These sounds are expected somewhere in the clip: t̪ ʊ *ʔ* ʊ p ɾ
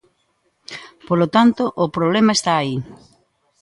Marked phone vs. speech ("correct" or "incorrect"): correct